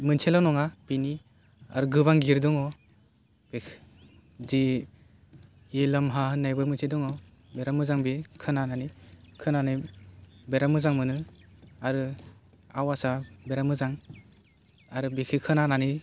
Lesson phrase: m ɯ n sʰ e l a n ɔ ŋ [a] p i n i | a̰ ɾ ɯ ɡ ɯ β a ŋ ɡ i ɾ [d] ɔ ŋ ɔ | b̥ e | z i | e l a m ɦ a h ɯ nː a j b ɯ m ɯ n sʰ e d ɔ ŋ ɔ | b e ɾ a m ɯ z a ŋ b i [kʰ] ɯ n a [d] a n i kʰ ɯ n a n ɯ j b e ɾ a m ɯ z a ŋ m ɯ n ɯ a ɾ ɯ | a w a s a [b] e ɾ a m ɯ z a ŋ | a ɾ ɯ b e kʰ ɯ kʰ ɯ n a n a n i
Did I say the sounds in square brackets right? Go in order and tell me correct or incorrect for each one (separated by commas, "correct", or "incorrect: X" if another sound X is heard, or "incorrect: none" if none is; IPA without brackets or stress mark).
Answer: correct, correct, correct, incorrect: n, correct